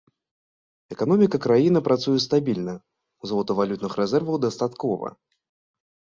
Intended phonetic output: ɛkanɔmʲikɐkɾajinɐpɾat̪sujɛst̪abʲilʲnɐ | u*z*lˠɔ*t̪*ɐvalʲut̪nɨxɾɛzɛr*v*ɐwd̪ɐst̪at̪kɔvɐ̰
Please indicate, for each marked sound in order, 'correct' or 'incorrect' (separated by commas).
correct, correct, correct